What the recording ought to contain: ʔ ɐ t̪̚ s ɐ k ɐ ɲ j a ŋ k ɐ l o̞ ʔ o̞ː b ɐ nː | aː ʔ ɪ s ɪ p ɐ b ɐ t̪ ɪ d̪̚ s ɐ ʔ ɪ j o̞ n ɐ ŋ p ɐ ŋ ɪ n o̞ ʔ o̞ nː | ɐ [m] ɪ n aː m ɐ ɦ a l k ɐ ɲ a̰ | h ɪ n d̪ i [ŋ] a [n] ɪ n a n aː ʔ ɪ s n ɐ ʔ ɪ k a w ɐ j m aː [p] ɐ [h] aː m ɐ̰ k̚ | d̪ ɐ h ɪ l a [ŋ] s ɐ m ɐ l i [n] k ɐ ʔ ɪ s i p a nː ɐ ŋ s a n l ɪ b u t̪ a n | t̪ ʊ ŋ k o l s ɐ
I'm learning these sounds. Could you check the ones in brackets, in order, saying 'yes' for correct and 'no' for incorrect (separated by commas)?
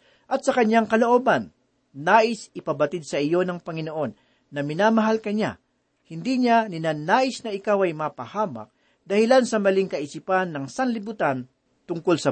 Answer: yes, no, yes, yes, yes, no, no